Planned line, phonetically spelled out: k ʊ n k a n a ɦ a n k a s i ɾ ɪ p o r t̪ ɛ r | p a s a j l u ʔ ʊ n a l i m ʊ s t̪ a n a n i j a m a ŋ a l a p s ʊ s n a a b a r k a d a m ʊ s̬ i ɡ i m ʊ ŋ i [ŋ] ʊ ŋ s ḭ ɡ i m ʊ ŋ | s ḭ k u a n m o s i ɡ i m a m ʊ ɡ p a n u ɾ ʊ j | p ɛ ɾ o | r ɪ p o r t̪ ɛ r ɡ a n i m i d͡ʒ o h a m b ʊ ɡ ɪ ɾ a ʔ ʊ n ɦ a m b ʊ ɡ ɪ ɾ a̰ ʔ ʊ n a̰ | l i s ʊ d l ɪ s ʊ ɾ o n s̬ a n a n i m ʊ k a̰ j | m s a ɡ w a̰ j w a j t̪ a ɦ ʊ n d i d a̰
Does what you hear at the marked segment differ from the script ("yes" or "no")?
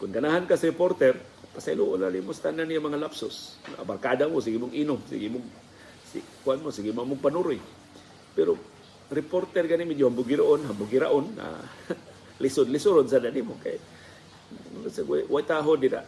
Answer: yes